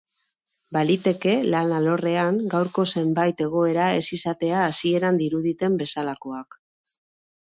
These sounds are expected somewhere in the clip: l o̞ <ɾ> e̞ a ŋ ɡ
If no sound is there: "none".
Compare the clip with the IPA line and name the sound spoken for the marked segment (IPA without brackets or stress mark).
r